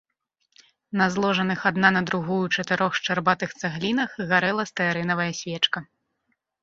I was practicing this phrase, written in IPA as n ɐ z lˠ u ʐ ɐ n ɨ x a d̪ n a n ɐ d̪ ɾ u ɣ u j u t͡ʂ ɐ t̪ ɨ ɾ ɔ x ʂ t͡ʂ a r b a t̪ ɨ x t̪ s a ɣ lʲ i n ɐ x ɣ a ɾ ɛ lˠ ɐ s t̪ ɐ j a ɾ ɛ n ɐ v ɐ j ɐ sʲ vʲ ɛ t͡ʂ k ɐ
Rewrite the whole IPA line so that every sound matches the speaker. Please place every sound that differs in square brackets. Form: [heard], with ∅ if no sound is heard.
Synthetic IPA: n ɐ z lˠ [ɔ] ʐ ɐ n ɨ x a d̪ n a n ɐ d̪ ɾ u ɣ u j u t͡ʂ ɐ t̪ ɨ ɾ ɔ x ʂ t͡ʂ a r b a t̪ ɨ x t̪ s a ɣ lʲ i n ɐ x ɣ a ɾ ɛ lˠ ɐ s t̪ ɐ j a ɾ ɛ n ɐ v ɐ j ɐ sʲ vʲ ɛ t͡ʂ k ɐ

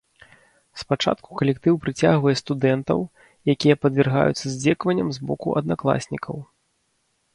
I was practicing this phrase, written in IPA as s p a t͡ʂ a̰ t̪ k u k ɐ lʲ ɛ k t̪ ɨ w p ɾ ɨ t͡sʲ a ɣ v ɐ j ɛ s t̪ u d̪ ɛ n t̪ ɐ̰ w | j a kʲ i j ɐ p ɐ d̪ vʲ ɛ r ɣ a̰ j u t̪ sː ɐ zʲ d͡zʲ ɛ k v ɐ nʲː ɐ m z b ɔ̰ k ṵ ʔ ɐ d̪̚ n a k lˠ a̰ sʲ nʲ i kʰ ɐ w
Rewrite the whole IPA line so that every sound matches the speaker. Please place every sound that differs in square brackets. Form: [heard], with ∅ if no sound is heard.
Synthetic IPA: s p a t͡ʂ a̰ t̪ k u k ɐ lʲ ɛ k t̪ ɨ w p ɾ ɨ t͡sʲ a ɣ v ɐ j ɛ s t̪ u d̪ ɛ n t̪ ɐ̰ w | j a kʲ i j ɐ p ɐ d̪ vʲ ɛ r ɣ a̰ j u t̪ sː ɐ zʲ d͡zʲ ɛ k v ɐ nʲː ɐ m z b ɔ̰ k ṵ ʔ ɐ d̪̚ n a k lˠ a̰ sʲ nʲ i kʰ ɐ w

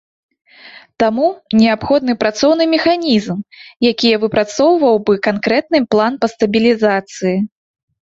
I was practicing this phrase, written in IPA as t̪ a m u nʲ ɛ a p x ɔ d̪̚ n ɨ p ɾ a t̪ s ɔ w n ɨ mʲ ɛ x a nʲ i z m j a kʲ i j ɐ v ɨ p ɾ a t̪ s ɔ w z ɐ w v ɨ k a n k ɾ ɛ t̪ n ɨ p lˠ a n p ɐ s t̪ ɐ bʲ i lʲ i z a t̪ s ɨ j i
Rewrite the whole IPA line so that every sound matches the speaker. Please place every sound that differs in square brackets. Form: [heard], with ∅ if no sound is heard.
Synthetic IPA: t̪ a m u nʲ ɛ a p x ɔ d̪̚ n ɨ p ɾ a t̪ s ɔ w n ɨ mʲ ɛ x a nʲ i z m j a kʲ i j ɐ v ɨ p ɾ a t̪ s ɔ w [v] ɐ w [b] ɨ k a n k ɾ ɛ t̪ n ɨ p lˠ a n p ɐ s t̪ ɐ bʲ i lʲ i z a t̪ s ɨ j i

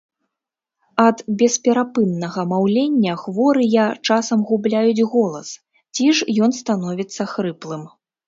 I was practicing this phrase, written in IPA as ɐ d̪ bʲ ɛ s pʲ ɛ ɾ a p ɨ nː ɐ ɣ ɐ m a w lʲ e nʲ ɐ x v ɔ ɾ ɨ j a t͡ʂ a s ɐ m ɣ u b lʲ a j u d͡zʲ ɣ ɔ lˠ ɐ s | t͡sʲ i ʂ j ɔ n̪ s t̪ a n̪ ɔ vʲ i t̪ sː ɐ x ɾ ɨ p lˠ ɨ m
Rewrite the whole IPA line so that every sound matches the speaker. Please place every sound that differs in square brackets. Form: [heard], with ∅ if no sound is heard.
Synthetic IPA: ɐ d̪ bʲ ɛ s pʲ ɛ ɾ a p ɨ nː ɐ ɣ ɐ m a w lʲ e [nʲː] ɐ x v ɔ ɾ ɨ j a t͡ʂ a s ɐ m ɣ u b lʲ a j u d͡zʲ ɣ ɔ lˠ ɐ s | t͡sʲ i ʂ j ɔ n̪ s t̪ a n̪ ɔ vʲ i t̪ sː ɐ x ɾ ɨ p lˠ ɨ m

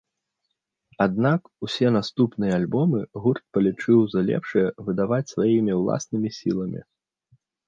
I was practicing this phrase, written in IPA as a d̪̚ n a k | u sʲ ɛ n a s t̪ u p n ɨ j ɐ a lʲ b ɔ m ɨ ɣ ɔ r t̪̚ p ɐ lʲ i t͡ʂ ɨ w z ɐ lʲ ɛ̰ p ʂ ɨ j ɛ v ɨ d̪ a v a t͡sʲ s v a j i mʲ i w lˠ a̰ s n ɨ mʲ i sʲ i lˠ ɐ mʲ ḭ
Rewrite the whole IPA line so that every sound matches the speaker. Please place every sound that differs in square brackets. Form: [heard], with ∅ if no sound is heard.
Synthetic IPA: a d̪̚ n a k | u sʲ ɛ n a s t̪ u p n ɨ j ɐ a lʲ b ɔ m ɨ ɣ [u] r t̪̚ p ɐ lʲ i t͡ʂ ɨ w z ɐ lʲ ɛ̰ p ʂ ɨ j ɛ v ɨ d̪ a v a t͡sʲ s v a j i mʲ i w lˠ a̰ s n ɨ mʲ i sʲ i lˠ ɐ mʲ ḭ

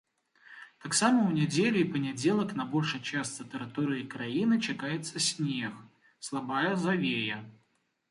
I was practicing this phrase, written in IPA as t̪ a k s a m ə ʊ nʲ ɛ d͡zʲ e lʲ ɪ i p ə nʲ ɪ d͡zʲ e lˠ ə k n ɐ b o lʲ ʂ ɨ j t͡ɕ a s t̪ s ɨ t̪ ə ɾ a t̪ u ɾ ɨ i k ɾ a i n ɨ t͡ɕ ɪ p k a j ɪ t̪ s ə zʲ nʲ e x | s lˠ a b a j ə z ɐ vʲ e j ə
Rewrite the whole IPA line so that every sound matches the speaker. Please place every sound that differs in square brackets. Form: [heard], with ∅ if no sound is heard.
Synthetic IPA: t̪ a k s a m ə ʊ nʲ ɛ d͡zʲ e lʲ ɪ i p ə nʲ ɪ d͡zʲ e lˠ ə k n ɐ b o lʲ ʂ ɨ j t͡ɕ a s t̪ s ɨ t̪ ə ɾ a t̪ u ɾ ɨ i k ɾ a i n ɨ t͡ɕ ɪ [∅] k a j ɪ t̪ s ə [sʲ] nʲ e x | s lˠ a b a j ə z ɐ vʲ e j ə

